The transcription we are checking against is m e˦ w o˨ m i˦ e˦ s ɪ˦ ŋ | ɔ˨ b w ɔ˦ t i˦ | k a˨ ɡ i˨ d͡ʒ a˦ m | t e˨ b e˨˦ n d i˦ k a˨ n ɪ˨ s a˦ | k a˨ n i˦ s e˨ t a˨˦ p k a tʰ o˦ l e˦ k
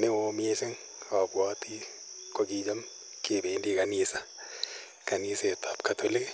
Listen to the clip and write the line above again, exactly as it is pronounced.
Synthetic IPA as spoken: m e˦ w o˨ m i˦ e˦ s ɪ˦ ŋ | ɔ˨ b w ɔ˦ t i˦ | k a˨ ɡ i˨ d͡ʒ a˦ m | k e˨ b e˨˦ n d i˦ k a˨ n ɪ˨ s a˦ | k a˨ n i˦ s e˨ t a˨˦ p k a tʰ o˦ l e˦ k